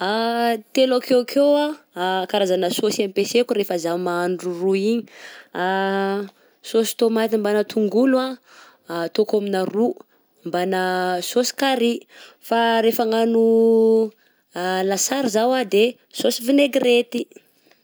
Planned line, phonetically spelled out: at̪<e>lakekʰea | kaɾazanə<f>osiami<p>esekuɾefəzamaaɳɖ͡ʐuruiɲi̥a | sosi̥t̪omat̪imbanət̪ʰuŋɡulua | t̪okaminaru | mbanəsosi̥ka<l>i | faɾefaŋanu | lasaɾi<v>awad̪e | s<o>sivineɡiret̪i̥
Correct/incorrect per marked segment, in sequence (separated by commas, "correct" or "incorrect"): correct, incorrect, correct, incorrect, incorrect, correct